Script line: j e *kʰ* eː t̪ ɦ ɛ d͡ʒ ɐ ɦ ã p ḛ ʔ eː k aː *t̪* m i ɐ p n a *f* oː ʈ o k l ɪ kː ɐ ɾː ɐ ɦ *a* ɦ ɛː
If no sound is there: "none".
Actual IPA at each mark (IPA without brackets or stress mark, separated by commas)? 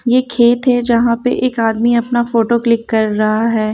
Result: kʰ, d̪, f, a